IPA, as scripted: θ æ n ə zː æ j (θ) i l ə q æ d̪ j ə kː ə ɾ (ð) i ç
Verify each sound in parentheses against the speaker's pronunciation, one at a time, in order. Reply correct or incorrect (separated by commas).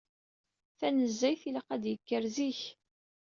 correct, incorrect